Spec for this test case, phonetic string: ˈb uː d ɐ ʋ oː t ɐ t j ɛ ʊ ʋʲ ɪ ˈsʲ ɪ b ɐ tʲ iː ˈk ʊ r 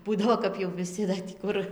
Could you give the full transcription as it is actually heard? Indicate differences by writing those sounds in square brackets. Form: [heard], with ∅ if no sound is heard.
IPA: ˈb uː d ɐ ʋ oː [k] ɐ [p] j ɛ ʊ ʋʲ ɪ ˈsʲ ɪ [d] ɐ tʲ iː ˈk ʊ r